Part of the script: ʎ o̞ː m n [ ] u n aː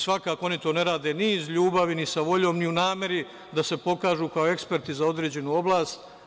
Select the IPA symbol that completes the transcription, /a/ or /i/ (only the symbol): i